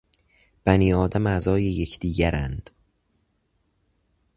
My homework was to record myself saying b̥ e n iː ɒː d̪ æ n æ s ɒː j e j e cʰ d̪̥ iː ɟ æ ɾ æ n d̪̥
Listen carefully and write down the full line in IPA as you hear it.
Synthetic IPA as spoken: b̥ æ n iː ɒː d̪ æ m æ z ɒː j e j e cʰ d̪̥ iː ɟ æ ɾ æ n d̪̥